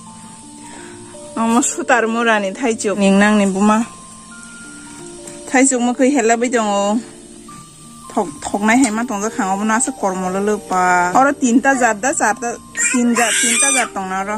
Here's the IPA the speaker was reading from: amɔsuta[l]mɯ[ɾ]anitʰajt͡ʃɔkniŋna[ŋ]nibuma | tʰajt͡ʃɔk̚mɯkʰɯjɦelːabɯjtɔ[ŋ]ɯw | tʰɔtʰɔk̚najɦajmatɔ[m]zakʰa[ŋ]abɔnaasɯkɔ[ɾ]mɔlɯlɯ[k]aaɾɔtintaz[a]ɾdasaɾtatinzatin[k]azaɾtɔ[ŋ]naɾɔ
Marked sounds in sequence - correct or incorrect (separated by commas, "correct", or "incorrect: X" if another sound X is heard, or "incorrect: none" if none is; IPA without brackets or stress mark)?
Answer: incorrect: ɾ, correct, correct, correct, incorrect: ŋ, correct, correct, incorrect: p, correct, incorrect: t, correct